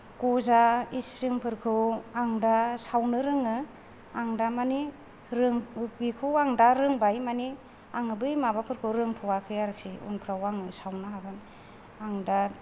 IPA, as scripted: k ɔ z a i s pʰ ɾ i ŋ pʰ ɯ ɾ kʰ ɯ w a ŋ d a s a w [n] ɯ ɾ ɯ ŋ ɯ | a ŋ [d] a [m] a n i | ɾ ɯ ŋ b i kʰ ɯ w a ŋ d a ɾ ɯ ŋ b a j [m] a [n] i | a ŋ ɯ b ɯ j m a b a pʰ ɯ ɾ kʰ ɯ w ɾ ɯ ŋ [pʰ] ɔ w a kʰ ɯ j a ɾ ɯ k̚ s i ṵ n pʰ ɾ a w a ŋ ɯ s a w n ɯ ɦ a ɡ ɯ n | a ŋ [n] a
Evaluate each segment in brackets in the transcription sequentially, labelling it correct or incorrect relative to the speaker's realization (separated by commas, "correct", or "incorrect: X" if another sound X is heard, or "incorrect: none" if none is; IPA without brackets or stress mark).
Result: correct, correct, correct, correct, correct, incorrect: tʰ, incorrect: d